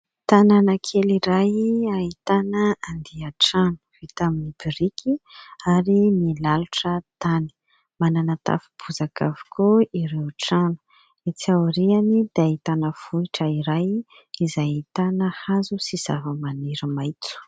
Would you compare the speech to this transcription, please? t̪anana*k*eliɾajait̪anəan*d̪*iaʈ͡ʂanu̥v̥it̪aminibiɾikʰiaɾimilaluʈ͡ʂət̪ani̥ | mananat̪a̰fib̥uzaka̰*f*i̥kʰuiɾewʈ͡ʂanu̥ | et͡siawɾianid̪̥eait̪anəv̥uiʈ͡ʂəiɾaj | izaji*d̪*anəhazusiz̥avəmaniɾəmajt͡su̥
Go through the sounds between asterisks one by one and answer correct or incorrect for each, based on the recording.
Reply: incorrect: kʰ, correct, incorrect: v, incorrect: t̪

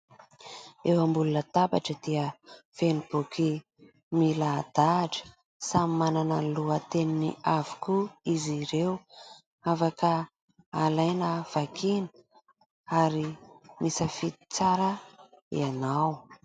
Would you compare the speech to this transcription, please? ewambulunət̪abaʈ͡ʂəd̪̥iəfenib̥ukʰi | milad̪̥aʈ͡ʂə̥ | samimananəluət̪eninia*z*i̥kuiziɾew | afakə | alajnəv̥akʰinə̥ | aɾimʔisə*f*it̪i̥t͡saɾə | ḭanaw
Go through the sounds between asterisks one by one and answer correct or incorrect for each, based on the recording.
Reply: incorrect: v, correct

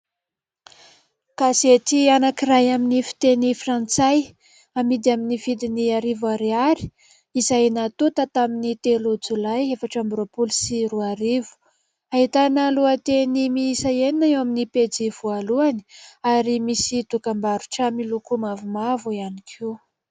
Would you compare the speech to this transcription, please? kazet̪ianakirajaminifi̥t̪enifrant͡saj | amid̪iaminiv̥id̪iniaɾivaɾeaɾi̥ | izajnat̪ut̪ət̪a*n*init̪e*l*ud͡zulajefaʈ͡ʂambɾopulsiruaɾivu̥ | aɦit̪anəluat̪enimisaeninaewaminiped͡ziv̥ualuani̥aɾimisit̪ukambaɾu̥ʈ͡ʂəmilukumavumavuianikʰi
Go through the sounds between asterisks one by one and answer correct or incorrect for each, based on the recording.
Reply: incorrect: m, correct

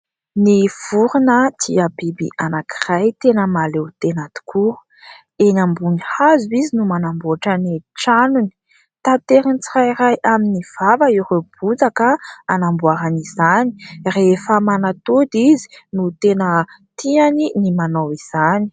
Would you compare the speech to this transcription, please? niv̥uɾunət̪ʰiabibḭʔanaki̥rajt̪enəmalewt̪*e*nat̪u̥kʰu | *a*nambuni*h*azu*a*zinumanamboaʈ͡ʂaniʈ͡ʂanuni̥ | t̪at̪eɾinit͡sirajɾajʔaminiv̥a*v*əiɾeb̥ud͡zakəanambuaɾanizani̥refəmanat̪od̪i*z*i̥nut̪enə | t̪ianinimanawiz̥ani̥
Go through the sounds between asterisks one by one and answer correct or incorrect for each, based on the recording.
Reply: correct, incorrect: e, correct, incorrect: i, correct, correct

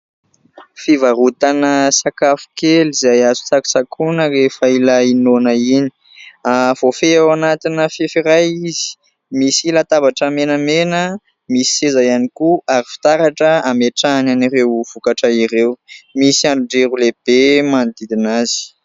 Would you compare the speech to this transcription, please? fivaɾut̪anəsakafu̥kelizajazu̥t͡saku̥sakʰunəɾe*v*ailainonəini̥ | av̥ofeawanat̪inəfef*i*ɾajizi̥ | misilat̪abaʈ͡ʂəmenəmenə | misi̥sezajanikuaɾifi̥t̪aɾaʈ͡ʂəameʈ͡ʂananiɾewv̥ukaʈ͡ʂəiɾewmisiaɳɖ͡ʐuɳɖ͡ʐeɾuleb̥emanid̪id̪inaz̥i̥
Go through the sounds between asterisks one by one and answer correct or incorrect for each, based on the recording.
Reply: incorrect: f, correct

